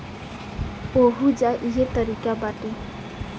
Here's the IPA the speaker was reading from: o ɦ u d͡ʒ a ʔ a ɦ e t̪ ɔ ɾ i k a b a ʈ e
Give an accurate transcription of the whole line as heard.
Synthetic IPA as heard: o ɦ u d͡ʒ a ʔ i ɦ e t̪ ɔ ɾ i k a b a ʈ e